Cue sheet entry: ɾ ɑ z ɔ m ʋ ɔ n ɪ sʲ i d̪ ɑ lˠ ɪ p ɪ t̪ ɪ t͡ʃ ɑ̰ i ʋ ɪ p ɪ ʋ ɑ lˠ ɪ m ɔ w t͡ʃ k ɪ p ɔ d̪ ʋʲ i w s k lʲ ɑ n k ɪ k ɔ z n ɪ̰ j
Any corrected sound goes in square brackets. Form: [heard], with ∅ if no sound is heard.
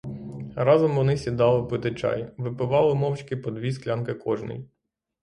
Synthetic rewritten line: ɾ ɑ z ɔ m ʋ ɔ n ɪ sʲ i d̪ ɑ lˠ ɪ p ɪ t̪ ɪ t͡ʃ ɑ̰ [j] ʋ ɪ p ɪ ʋ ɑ lˠ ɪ m ɔ w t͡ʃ k ɪ p ɔ d̪ ʋʲ i [∅] s k lʲ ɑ n k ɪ k ɔ [ʒ] n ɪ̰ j